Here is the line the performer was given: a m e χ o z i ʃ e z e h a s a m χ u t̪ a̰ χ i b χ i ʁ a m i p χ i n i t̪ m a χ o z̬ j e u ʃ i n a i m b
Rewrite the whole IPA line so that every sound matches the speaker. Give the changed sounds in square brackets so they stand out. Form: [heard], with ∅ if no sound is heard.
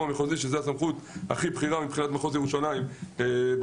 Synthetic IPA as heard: a m e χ o z i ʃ e z e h a s a m χ u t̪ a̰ χ i b χ i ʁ a m i p χ i n [a] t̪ m a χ o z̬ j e u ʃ [a] n a i m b